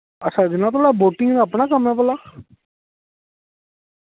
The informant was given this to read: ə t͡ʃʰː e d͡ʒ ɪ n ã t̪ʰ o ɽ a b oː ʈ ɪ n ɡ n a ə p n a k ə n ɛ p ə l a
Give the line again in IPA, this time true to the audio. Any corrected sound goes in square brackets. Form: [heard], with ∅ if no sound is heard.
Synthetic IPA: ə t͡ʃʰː [a] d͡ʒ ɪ n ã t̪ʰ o ɽ a b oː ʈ ɪ [ŋ] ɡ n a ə p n a k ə [m] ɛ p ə l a